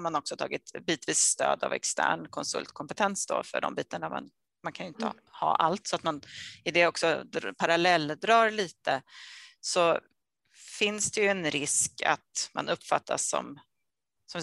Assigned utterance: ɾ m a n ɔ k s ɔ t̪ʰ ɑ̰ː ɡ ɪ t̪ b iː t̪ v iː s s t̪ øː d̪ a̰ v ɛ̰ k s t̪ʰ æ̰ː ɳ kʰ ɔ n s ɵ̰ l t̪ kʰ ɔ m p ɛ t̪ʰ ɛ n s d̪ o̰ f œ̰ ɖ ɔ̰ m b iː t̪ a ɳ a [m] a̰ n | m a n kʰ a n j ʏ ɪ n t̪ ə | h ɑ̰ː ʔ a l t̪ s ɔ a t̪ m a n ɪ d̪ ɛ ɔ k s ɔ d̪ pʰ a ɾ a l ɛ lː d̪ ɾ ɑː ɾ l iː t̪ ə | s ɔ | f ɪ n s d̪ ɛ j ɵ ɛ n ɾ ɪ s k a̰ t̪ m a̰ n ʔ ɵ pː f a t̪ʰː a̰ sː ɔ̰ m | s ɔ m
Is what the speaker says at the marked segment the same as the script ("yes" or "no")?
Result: yes